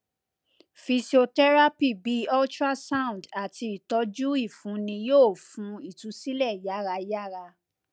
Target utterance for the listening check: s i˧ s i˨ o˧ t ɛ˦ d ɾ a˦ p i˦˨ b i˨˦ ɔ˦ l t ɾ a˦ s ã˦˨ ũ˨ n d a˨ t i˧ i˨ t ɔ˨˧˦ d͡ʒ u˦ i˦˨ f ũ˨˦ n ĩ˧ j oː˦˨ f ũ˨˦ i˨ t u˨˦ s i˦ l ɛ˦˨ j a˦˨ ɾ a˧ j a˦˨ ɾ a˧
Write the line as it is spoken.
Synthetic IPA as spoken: f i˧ s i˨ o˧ t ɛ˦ ɾ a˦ p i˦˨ b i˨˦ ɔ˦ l t ɾ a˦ s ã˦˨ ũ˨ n d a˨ t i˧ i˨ t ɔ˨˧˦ d͡ʒ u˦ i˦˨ f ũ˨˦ n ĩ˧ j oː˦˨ f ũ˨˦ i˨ t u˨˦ s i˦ l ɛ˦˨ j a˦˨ ɾ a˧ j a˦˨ ɾ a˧